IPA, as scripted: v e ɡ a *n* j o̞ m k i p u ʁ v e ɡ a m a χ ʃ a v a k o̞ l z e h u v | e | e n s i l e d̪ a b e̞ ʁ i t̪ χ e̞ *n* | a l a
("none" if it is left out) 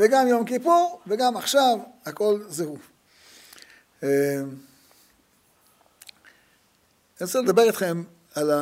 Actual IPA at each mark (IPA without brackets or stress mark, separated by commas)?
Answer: m, m